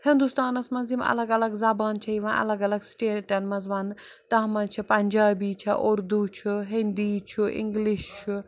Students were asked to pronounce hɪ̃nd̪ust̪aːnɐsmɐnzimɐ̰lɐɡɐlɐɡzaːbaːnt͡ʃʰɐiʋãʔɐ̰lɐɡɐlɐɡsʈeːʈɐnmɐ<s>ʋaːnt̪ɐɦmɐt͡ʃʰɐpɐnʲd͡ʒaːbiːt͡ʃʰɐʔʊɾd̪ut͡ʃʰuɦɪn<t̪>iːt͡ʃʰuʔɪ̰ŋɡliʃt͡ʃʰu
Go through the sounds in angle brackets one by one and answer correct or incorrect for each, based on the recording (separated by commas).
incorrect, incorrect